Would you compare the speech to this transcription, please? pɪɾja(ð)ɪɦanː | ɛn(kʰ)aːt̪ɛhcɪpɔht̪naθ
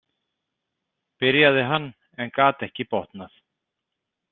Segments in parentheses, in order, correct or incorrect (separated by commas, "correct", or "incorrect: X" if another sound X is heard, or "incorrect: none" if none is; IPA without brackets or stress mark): correct, incorrect: k